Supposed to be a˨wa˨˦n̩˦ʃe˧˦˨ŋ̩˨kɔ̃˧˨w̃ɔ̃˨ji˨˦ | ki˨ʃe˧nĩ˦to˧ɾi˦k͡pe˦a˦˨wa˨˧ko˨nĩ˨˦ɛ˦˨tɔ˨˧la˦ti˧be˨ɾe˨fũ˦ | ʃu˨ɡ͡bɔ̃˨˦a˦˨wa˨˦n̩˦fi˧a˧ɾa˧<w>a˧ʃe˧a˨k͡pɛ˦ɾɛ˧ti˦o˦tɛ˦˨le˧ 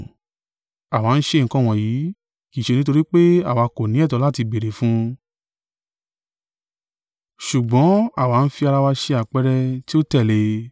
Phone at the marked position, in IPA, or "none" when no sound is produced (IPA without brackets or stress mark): w